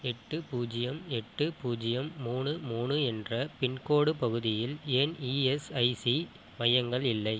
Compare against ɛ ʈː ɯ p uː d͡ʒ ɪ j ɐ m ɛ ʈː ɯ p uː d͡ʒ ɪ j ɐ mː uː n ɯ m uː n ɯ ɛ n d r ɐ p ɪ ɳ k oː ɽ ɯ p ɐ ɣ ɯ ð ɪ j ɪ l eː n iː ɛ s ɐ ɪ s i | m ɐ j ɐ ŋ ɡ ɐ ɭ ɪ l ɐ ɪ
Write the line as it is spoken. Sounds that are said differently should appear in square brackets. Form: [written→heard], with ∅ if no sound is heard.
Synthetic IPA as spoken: ɛ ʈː ɯ p uː d͡ʒ ɪ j ɐ m ɛ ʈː ɯ p uː d͡ʒ ɪ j ɐ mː uː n ɯ m uː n ɯ ɛ n d r ɐ p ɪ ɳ k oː ɽ ɯ p ɐ ɣ ɯ ð ɪ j ɪ l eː n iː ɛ s ɐ ɪ s i | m ɐ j ɐ ŋ ɡ ɐ ɭ ɪ [l→lː] ɐ ɪ